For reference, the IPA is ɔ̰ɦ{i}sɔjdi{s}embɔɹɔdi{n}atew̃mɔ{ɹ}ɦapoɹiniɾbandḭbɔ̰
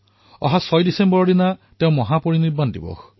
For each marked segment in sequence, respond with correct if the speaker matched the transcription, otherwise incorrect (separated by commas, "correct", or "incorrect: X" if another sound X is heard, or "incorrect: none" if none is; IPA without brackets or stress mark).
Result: incorrect: a, correct, correct, incorrect: none